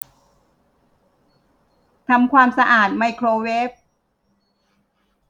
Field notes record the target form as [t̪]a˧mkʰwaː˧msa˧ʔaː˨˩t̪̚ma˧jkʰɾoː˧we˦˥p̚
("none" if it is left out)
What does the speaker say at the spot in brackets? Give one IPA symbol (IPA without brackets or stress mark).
t̪ʰ